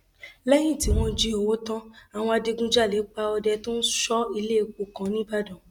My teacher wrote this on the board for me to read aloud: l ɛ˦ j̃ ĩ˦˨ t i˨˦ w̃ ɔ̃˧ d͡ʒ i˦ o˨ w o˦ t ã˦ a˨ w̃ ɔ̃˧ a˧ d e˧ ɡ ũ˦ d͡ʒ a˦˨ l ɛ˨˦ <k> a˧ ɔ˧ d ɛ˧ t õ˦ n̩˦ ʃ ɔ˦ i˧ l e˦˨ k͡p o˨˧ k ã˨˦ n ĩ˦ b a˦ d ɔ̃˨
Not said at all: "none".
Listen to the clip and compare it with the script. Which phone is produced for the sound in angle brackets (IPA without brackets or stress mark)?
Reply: k͡p